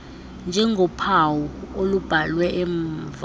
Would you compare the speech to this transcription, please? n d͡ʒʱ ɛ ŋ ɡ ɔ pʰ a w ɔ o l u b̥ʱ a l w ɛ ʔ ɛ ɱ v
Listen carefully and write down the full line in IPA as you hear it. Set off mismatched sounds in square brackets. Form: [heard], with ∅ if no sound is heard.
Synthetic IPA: n d͡ʒʱ ɛ ŋ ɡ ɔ pʰ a w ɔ o l u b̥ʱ a l w ɛ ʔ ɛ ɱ v